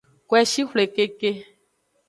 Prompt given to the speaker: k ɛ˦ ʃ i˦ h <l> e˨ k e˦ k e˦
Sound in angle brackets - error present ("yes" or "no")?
no